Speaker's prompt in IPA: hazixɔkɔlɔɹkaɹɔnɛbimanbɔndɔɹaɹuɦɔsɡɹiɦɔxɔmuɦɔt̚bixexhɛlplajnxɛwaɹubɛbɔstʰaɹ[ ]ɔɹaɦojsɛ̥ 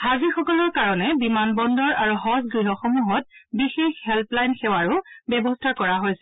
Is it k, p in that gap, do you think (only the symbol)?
k